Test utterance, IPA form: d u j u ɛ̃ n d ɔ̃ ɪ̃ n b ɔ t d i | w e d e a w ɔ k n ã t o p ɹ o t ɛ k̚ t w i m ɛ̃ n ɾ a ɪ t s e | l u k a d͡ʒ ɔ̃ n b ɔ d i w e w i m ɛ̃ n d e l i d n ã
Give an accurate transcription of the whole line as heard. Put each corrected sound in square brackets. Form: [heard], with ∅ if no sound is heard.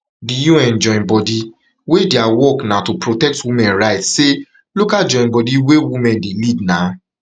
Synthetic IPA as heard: d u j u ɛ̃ n [d͡ʒ] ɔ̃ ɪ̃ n b ɔ [∅] d i | w e d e a w ɔ k n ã t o p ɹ o t ɛ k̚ t w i m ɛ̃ n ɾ a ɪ t s e | l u k a d͡ʒ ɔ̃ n b ɔ d i w e w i m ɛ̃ n d e l i d n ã